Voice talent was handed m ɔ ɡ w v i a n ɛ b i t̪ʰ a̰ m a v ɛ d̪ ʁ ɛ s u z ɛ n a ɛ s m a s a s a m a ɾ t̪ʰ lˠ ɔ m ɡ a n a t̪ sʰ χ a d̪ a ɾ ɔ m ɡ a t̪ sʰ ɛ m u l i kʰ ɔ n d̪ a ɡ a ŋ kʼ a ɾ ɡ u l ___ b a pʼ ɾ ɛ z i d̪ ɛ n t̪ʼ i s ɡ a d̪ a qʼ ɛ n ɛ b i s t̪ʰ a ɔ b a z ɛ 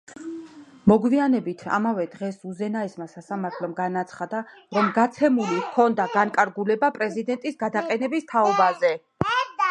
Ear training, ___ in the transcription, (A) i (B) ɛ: B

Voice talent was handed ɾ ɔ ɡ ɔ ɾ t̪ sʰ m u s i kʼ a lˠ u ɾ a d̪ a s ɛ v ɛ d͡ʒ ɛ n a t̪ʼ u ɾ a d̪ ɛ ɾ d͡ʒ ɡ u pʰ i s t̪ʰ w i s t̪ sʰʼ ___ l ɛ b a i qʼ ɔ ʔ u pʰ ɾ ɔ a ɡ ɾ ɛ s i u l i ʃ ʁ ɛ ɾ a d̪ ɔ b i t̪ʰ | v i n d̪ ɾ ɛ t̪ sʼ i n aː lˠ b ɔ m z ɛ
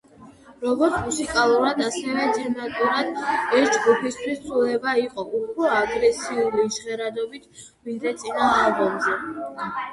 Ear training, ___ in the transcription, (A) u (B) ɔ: A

